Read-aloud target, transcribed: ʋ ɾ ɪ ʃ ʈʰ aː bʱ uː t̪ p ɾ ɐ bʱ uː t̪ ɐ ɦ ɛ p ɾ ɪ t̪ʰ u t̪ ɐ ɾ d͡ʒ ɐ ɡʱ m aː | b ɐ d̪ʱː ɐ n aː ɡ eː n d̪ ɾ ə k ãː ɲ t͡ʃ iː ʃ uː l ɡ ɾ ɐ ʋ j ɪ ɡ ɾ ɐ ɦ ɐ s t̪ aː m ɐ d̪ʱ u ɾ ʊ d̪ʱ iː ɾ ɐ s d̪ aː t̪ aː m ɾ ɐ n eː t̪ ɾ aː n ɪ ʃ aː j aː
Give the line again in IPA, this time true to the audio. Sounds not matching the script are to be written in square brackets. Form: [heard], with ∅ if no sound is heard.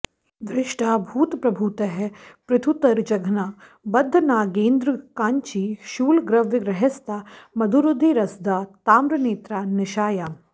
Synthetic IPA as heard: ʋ ɾ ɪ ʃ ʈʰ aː bʱ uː t̪ p ɾ ɐ bʱ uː t̪ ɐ ɦ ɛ p ɾ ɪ t̪ʰ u t̪ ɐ ɾ d͡ʒ ɐ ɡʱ [n] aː | b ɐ d̪ʱː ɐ n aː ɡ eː n d̪ ɾ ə k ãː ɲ t͡ʃ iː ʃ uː l ɡ ɾ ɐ ʋ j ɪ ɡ ɾ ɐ ɦ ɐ s t̪ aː m ɐ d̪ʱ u ɾ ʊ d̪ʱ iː ɾ ɐ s d̪ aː t̪ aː m ɾ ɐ n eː t̪ ɾ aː n ɪ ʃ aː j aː